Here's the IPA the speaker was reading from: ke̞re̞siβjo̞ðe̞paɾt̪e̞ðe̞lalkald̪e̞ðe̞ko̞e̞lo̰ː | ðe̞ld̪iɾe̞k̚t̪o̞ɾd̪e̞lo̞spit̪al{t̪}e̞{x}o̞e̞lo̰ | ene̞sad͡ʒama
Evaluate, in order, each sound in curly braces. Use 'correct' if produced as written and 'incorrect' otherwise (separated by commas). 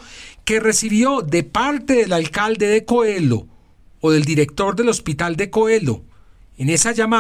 incorrect, incorrect